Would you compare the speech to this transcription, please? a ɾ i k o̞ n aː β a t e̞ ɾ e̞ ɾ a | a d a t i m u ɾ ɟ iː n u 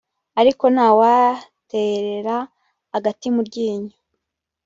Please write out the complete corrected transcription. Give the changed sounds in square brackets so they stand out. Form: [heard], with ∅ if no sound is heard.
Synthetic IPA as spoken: a ɾ i k o̞ n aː [w] a t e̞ ɾ e̞ ɾ a | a [ɡ] a t i m u ɾ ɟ iː [ɲ] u